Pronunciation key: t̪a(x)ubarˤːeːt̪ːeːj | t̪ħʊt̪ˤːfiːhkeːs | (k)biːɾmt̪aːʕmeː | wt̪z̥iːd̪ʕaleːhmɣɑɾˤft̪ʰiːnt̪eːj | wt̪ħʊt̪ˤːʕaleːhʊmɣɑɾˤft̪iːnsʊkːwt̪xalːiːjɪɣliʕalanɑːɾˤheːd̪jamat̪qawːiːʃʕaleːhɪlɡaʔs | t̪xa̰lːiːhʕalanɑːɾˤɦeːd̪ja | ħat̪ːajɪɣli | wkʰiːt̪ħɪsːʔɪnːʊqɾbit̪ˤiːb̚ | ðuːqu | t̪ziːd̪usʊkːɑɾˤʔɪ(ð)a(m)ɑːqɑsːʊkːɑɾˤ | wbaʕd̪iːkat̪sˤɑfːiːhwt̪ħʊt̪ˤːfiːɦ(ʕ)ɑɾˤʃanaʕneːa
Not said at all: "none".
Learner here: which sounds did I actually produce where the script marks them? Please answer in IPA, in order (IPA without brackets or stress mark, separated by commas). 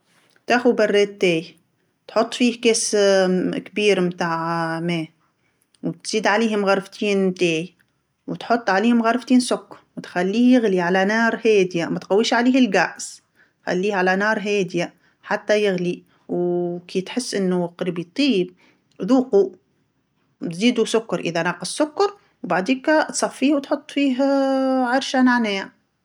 x, k, ð, n, ʕ